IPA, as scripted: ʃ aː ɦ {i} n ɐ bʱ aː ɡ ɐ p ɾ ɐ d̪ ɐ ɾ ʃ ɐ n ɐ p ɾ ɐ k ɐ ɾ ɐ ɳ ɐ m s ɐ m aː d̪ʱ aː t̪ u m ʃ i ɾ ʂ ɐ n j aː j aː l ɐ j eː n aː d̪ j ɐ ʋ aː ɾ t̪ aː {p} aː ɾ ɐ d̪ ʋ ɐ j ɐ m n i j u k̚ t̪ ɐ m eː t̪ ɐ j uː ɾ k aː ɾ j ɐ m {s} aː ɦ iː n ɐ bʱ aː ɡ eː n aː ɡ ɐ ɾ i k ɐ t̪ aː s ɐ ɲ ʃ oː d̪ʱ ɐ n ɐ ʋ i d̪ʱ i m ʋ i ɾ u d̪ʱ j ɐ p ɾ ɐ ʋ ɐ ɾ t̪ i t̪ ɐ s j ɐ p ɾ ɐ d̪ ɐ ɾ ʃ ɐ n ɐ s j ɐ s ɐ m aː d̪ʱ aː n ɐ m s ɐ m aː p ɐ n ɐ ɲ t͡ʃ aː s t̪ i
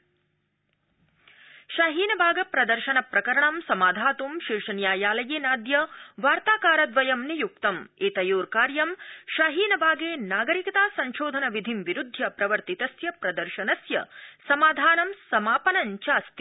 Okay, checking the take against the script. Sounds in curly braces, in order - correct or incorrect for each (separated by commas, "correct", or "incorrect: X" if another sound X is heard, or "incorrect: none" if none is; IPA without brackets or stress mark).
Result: incorrect: iː, incorrect: k, incorrect: ʃ